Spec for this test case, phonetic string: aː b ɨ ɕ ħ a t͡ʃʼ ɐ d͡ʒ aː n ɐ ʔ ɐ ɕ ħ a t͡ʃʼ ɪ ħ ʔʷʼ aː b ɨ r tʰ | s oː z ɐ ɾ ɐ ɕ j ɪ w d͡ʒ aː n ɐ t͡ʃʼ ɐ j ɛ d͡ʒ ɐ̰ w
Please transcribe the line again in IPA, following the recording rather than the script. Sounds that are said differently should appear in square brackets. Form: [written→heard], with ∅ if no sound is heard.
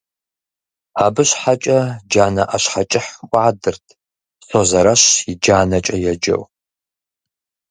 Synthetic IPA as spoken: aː b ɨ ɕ ħ a t͡ʃʼ ɐ d͡ʒ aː n ɐ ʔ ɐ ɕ ħ a t͡ʃʼ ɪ ħ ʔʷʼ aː [b→d] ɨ r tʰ | s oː z ɐ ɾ ɐ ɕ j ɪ [w→∅] d͡ʒ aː n ɐ t͡ʃʼ ɐ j ɛ d͡ʒ ɐ̰ w